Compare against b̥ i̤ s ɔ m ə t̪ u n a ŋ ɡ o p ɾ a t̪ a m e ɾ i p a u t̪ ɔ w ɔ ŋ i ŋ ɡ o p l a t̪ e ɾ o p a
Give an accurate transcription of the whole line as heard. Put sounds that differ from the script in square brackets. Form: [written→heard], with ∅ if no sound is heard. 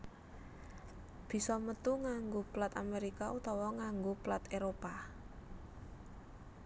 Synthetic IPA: b̥ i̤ s ɔ m ə t̪ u [n→ŋ] a ŋ ɡ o p [ɾ→l] a t̪ a m e ɾ i [p→k] a u t̪ ɔ w ɔ ŋ [i→a] ŋ ɡ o p l a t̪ e ɾ o p a